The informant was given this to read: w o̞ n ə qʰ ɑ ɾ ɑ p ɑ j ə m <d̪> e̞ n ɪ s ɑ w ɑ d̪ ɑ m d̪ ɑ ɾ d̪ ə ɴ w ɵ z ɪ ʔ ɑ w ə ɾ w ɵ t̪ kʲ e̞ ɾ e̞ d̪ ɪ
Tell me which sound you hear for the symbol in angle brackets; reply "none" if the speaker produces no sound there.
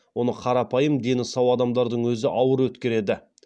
d̪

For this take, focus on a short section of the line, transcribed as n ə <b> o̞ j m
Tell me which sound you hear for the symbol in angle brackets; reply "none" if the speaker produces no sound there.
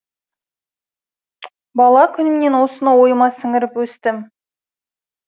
w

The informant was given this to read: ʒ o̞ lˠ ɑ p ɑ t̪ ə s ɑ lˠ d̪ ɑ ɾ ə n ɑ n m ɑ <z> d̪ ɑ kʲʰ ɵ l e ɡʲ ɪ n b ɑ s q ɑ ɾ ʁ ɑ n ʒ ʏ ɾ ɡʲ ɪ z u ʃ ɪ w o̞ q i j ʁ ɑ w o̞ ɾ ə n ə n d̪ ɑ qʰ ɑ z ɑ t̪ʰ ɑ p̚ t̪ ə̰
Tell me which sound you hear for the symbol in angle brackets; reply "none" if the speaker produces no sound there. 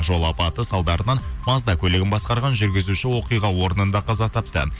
z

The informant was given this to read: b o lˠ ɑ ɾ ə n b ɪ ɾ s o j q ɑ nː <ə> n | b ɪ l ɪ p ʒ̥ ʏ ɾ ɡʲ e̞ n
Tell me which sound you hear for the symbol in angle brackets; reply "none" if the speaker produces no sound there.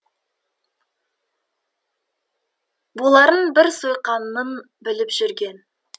ə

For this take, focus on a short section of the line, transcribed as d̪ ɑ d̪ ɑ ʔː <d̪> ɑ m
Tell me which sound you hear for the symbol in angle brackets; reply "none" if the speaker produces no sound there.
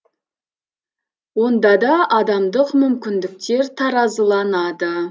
d̪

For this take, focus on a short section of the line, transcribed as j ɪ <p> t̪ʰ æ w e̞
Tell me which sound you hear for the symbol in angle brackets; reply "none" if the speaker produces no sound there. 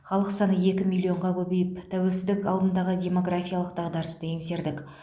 p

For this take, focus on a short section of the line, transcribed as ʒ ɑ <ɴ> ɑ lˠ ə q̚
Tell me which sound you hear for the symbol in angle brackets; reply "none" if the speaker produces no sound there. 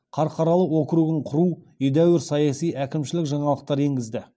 ɴ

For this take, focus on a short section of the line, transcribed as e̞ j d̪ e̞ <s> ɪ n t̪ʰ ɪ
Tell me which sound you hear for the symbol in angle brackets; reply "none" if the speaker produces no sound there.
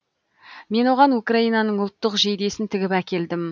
s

